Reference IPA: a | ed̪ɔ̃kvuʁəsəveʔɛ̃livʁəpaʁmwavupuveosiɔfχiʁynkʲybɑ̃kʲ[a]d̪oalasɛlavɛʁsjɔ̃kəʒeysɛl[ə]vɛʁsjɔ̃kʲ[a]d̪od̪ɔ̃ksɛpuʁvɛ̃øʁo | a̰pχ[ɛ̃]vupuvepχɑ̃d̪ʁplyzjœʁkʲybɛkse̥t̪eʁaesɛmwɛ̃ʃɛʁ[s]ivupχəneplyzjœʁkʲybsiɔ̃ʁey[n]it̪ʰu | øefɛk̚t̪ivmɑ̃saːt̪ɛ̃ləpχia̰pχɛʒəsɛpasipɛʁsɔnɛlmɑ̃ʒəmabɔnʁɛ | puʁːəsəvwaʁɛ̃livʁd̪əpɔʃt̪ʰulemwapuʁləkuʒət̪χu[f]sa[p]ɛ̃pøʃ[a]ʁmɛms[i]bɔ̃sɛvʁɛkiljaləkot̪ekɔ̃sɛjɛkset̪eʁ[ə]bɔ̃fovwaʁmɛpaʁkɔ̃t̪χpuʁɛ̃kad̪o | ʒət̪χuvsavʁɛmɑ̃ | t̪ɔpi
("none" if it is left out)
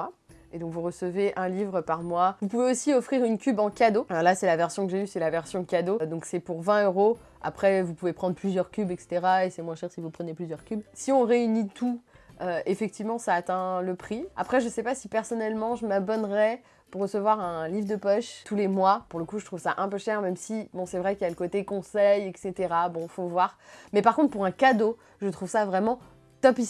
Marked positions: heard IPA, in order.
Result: a, a, a, ɛ, s, n, v, ʔ, ɛ, i, a

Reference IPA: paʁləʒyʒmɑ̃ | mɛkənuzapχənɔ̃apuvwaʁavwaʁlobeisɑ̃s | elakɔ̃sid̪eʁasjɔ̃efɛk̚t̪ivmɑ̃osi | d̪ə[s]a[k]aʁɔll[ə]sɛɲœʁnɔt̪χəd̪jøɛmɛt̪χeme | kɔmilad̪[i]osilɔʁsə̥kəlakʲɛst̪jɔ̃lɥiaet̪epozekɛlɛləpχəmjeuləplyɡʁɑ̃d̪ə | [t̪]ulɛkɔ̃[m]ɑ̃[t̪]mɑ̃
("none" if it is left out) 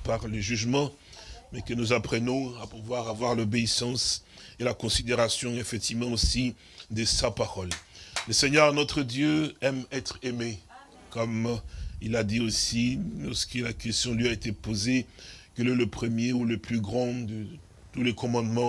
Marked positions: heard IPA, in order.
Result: s, p, ə, i, t̪, m, d̪

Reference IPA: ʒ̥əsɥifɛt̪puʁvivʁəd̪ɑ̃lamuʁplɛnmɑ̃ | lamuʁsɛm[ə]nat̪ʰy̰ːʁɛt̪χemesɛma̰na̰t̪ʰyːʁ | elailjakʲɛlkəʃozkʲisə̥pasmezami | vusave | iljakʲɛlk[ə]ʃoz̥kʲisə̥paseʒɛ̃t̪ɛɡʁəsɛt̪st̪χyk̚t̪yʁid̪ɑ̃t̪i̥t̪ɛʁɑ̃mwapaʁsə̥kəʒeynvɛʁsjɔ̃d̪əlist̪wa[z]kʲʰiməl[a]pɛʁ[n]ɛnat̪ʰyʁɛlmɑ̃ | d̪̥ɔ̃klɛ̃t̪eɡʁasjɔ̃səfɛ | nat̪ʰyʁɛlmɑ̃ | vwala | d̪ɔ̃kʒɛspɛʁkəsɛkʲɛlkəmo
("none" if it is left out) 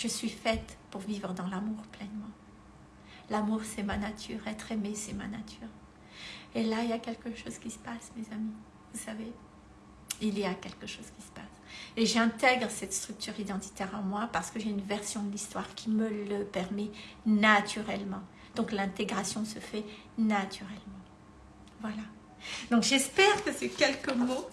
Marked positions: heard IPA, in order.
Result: a, ə, ʁ, ə, m

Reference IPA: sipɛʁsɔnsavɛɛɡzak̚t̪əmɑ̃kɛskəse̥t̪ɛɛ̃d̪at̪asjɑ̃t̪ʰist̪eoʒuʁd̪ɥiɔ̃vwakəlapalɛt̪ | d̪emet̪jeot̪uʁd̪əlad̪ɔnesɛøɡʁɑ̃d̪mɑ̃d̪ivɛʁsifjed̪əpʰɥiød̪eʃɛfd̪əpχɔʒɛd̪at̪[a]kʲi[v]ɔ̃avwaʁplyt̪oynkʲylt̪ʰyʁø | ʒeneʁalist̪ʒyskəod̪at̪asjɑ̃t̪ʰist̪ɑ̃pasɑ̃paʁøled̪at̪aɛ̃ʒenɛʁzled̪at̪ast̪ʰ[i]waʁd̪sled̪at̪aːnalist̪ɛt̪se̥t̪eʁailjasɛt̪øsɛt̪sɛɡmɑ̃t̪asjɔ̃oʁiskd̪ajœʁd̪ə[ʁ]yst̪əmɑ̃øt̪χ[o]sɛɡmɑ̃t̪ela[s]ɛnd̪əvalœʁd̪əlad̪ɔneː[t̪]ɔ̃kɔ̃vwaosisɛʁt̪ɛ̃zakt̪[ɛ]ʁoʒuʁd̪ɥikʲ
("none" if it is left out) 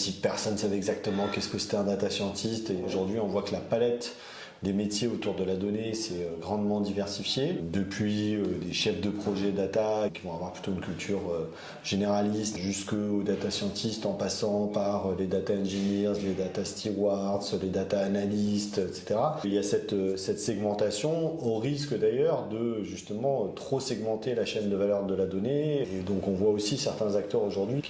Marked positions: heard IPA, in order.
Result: a, v, i, ʒ, o, ʃ, d̪, œ

